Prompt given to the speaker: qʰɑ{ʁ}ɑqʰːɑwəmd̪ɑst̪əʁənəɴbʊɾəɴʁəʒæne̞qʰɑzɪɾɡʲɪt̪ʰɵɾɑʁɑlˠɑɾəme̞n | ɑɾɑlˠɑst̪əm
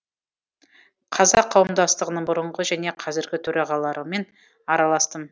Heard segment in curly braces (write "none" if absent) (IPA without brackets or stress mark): z